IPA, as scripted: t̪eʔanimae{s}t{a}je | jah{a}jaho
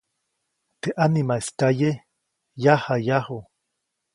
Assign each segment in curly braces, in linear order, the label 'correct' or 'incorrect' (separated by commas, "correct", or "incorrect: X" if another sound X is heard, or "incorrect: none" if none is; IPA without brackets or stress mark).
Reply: correct, correct, correct